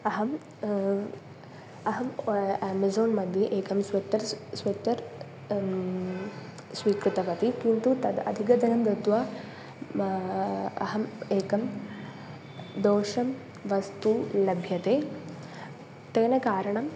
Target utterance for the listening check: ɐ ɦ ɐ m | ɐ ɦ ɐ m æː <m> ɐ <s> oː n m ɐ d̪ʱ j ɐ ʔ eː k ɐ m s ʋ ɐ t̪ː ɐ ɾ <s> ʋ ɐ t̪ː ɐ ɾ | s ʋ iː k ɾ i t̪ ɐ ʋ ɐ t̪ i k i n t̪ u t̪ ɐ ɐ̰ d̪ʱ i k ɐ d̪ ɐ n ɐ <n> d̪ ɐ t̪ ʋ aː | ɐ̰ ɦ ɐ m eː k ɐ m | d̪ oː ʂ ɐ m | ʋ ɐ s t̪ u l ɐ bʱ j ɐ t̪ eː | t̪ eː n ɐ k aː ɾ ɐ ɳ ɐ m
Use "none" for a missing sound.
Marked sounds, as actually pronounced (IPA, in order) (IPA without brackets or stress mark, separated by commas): m, z, s, m